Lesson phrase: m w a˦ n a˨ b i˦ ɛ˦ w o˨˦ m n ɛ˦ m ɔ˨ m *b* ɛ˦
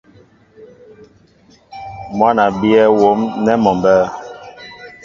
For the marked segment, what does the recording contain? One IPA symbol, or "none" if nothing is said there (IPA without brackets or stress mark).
b